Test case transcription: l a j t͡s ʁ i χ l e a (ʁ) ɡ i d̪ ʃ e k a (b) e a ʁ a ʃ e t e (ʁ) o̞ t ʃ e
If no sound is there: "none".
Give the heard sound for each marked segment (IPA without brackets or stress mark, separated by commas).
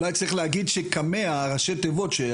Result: none, m, v